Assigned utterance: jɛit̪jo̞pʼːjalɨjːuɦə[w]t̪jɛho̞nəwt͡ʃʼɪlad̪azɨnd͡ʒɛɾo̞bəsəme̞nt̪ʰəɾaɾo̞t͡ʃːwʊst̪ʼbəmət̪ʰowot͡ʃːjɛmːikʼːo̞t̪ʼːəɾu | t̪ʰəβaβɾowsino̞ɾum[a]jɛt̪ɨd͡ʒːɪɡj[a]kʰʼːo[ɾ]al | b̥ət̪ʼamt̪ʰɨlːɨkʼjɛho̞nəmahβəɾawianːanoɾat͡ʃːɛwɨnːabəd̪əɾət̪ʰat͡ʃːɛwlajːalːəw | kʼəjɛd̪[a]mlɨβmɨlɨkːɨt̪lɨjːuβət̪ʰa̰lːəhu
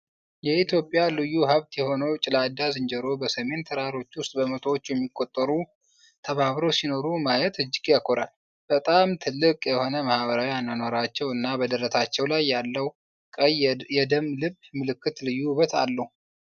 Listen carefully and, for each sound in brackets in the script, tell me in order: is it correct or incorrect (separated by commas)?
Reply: incorrect, correct, correct, correct, incorrect